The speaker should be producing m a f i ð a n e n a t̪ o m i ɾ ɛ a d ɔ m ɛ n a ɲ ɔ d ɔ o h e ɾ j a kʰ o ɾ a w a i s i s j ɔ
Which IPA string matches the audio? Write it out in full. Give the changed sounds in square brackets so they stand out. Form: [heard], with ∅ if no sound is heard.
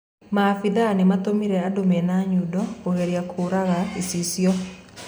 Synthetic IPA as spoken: m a f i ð a n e [m] a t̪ o m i ɾ ɛ a d [o] m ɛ n a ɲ [u] d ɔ o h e ɾ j a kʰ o ɾ a [ɣ] a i s i s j ɔ